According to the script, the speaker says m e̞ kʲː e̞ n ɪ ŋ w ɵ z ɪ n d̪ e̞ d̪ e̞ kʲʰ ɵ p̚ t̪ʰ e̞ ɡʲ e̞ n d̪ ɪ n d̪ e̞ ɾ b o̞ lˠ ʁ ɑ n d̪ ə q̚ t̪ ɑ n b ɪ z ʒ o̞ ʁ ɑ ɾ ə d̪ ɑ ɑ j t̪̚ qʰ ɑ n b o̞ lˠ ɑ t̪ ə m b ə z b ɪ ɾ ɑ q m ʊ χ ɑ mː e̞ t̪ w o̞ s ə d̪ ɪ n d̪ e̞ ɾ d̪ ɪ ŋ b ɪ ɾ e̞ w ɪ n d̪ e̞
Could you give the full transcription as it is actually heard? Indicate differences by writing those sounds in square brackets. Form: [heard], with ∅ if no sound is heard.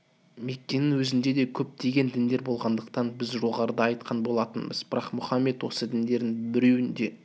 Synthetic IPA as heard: m e̞ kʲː e̞ n ɪ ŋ w ɵ z ɪ n d̪ e̞ d̪ e̞ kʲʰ ɵ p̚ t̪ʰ e̞ ɡʲ e̞ n d̪ ɪ n d̪ e̞ ɾ b o̞ lˠ ʁ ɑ n d̪ ə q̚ t̪ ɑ n b ɪ z ʒ o̞ ʁ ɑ ɾ ə d̪ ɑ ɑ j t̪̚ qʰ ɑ n b o̞ lˠ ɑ t̪ ə [n] b ə z b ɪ ɾ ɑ q m ʊ χ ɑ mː e̞ t̪ w o̞ s ə d̪ ɪ n d̪ e̞ ɾ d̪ ɪ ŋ b ɪ ɾ e̞ w ɪ n d̪ e̞